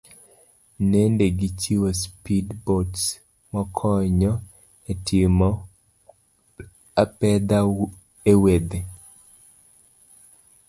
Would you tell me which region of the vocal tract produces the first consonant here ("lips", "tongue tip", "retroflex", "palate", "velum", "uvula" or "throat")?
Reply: tongue tip